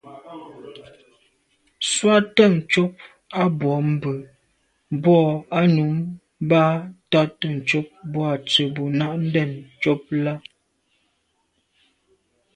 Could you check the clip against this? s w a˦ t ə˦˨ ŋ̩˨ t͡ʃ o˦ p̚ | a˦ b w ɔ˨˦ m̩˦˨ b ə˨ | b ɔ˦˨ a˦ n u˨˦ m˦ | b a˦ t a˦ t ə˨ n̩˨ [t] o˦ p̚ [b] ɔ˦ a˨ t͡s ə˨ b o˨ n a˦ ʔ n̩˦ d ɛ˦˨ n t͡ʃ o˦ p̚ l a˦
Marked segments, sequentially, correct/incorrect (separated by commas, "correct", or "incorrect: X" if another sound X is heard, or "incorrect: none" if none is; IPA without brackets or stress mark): incorrect: t͡ʃ, correct